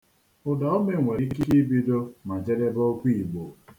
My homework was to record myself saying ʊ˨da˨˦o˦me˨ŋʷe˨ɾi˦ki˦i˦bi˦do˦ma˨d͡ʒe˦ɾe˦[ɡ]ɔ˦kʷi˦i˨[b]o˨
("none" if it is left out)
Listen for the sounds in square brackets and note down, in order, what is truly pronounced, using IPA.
b, ɡ͡b

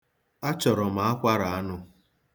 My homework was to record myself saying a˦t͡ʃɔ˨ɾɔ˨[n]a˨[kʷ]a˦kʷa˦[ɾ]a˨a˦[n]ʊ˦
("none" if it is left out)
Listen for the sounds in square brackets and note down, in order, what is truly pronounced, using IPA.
m, none, ɾ, n

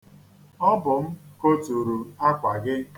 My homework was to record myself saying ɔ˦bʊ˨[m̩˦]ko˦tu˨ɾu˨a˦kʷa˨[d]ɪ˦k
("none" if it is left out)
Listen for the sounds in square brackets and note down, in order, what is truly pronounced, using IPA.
m̩˦, ɡ

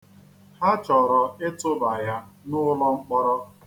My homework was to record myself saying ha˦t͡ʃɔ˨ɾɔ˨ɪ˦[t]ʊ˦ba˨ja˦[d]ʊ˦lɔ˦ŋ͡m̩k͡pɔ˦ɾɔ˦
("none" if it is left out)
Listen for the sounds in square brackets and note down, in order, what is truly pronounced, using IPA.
t, n

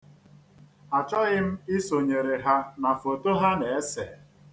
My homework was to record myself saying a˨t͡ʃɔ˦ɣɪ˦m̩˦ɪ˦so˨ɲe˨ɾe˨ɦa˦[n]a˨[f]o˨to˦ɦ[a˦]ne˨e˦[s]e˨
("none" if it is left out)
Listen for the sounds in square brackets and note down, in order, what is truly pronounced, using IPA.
n, f, a˦, s

